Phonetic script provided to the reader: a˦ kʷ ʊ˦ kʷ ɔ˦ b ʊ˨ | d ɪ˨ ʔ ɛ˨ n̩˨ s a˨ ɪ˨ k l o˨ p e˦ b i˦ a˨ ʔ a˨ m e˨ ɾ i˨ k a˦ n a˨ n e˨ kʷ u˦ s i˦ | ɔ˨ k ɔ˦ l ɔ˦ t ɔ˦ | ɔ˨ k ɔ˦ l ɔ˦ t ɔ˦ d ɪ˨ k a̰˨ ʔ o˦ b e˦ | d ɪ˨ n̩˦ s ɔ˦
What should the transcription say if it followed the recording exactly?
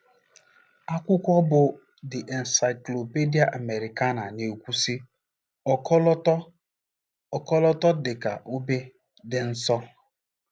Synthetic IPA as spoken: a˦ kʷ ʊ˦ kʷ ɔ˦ b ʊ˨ | d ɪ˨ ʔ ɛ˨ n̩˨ s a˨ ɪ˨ k l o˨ p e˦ d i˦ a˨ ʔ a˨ m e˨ ɾ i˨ k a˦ n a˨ n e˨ kʷ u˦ s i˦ | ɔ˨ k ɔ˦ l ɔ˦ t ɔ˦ | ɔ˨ k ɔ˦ l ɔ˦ t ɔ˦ d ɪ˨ k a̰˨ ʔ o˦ b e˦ | d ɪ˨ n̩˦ s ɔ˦

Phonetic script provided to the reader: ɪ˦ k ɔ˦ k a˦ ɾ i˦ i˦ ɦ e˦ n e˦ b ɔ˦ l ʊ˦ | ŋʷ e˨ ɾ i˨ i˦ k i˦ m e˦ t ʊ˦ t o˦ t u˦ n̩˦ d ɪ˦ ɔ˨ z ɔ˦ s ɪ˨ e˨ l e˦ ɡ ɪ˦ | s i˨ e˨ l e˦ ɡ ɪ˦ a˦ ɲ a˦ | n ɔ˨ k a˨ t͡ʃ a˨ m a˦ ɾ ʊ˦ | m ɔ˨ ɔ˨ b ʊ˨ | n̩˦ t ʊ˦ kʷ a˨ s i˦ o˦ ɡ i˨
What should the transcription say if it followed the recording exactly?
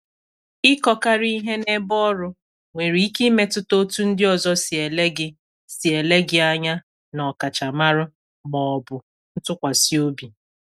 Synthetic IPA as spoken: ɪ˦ k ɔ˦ k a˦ ɾ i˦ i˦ ɦ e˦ n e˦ b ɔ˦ ɾ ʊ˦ | ŋʷ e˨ ɾ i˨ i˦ k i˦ m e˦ t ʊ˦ t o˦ t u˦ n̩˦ d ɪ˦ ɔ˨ z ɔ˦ s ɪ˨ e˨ l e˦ ɡ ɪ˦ | s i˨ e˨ l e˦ ɡ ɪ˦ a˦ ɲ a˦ | n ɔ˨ k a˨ t͡ʃ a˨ m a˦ ɾ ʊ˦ | m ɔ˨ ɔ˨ b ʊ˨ | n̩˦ t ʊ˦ kʷ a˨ s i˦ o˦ b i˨

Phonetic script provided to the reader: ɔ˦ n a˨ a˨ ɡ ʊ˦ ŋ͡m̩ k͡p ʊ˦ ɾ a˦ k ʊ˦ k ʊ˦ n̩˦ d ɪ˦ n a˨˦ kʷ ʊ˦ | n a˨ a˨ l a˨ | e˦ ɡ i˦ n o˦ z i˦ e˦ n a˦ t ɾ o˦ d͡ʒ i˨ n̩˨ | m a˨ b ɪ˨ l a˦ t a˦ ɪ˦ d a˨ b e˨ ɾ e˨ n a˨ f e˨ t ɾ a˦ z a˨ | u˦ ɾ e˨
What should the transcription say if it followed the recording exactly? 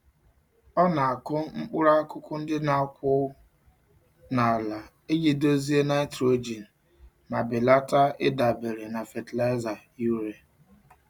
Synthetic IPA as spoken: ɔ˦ n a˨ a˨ k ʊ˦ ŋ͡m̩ k͡p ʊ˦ ɾ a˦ k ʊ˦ k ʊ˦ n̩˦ d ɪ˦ n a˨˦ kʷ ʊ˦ | n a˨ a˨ l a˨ | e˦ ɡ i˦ d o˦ z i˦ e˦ n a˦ t ɾ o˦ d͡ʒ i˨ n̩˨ | m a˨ b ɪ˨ l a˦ t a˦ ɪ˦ d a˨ b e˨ ɾ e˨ n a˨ f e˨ t l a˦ z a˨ | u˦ ɾ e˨

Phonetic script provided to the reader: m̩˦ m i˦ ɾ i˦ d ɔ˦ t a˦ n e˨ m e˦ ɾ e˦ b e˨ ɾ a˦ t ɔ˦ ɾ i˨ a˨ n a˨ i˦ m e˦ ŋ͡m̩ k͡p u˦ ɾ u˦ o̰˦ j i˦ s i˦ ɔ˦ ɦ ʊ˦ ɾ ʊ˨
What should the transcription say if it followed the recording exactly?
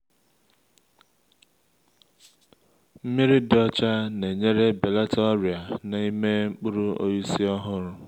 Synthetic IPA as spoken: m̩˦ m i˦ ɾ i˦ d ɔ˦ t͡ʃ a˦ n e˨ ɲ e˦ ɾ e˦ b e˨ l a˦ t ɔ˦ ɾ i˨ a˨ n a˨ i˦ m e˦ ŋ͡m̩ k͡p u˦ ɾ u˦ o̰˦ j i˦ s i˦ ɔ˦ ɦ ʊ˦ ɾ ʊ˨

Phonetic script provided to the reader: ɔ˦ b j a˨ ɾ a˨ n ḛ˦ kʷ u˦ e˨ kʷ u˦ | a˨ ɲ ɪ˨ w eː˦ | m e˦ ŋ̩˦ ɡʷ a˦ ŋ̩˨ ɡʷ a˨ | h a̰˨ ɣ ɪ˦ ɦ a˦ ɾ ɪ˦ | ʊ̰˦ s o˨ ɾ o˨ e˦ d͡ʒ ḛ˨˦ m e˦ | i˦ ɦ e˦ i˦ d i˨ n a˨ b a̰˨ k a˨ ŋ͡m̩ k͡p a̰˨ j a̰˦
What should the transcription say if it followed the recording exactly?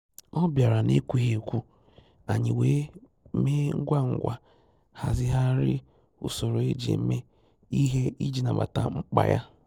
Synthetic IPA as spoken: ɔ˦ b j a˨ ɾ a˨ n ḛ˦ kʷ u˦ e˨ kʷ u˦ | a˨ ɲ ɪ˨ w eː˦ | m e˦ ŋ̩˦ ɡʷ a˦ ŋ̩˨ ɡʷ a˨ | h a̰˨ z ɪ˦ ɦ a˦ ɾ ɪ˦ | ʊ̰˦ s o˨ ɾ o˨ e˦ d͡ʒ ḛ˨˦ m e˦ | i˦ ɦ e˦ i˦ d͡ʒ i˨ n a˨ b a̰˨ t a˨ ŋ͡m̩ k͡p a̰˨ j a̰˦

